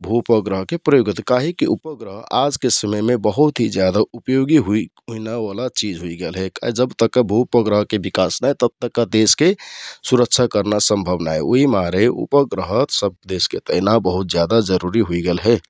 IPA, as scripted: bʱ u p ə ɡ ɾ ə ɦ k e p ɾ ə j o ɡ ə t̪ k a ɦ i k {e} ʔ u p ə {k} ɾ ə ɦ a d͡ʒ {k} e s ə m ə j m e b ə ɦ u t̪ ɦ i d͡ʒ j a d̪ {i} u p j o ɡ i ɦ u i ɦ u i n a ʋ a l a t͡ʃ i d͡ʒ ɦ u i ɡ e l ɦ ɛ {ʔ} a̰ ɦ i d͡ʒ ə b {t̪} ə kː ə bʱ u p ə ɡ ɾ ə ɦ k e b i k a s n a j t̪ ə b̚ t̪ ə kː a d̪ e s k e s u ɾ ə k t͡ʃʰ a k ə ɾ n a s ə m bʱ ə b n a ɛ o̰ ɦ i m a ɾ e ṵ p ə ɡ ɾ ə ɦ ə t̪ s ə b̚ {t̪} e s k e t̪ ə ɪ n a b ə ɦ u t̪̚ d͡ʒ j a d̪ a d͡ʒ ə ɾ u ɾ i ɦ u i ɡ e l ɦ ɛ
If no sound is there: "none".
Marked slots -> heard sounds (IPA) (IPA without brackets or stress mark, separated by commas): i, ɡ, k, a, k, t̪, d̪